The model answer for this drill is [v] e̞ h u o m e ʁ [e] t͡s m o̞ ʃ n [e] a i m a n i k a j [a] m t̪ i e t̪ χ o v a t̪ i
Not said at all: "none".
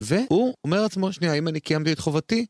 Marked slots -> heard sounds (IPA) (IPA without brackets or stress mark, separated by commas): v, a, i, a